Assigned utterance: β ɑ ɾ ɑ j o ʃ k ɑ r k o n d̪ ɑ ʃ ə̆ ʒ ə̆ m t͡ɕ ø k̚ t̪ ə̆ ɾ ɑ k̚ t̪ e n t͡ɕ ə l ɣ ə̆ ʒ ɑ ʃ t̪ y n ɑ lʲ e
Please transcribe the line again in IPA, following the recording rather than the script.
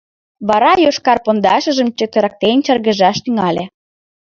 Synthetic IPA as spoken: β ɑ ɾ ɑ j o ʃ k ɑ r p o n d̪ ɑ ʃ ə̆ ʒ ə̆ m t͡ɕ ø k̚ t̪ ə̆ ɾ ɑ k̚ t̪ e n t͡ɕ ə r ɣ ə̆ ʒ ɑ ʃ t̪ y ŋ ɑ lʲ e